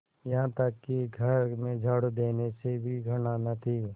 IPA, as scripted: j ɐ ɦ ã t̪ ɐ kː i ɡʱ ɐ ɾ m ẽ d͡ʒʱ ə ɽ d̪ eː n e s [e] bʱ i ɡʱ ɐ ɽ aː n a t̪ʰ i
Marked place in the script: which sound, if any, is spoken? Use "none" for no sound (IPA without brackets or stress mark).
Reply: e